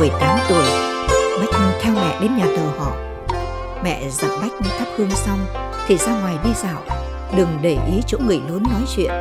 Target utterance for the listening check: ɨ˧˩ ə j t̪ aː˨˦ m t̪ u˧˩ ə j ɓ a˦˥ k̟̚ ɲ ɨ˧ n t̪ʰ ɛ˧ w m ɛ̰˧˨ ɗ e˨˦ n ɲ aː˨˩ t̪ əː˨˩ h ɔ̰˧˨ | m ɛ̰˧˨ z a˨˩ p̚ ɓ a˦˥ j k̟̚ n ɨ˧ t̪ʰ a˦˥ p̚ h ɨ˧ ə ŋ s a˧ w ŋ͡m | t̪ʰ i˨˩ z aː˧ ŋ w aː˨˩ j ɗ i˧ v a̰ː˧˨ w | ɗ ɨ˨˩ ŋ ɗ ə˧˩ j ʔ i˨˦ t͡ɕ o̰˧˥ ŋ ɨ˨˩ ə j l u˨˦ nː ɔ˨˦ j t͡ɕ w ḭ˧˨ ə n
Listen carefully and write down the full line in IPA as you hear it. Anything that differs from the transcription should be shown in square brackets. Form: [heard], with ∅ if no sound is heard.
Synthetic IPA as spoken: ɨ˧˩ ə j t̪ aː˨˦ m t̪ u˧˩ ə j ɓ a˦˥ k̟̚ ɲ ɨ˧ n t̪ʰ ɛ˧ w m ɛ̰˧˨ ɗ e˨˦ n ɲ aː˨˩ t̪ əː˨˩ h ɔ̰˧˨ | m ɛ̰˧˨ z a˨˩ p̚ ɓ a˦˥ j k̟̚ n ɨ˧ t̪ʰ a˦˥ p̚ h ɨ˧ ə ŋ s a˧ w ŋ͡m | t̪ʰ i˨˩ z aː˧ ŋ w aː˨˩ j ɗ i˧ [z] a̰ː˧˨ w | ɗ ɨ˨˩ ŋ ɗ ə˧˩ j ʔ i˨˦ t͡ɕ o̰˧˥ ŋ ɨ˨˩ ə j l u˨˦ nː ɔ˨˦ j t͡ɕ w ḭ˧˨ ə n